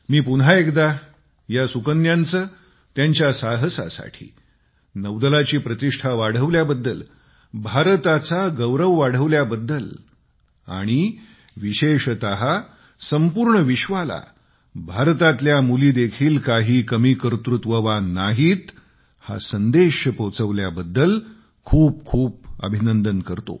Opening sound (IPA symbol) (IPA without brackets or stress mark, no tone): m